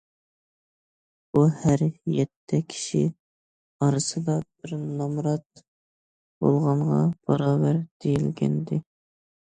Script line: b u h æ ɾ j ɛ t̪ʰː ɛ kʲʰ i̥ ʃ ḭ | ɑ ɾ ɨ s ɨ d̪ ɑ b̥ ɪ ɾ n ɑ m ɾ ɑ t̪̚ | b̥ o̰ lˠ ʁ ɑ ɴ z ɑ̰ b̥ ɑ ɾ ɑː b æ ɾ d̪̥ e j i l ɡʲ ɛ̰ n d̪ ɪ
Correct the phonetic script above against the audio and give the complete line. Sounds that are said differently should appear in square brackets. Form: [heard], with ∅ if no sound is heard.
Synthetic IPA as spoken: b u h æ ɾ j ɛ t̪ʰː ɛ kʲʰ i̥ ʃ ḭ | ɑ ɾ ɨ s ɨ d̪ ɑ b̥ ɪ ɾ n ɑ m ɾ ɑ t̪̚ | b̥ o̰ lˠ ʁ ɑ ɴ [ʁ] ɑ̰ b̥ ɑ ɾ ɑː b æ ɾ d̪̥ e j i l ɡʲ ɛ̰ n d̪ ɪ